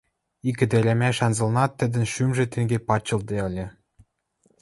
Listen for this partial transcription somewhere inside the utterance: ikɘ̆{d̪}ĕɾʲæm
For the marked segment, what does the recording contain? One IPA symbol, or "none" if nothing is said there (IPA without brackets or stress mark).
d̪